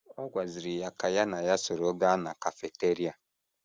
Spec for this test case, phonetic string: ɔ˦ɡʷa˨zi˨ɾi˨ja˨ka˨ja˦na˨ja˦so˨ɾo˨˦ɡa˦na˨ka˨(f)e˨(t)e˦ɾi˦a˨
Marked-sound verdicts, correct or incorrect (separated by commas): correct, correct